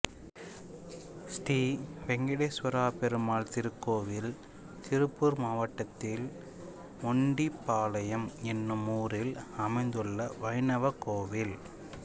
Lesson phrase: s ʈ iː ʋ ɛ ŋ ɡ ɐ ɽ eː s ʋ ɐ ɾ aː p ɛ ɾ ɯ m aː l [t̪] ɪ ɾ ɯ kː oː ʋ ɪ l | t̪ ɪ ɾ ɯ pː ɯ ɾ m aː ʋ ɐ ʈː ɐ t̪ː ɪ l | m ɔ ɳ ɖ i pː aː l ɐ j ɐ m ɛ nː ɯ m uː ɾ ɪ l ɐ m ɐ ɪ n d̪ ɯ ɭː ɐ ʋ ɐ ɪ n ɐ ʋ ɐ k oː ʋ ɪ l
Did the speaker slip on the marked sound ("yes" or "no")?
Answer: no